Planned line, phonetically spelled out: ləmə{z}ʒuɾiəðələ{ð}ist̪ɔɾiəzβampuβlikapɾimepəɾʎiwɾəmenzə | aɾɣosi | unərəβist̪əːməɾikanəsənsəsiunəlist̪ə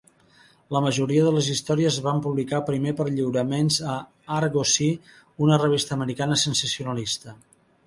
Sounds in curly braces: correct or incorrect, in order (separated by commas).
incorrect, incorrect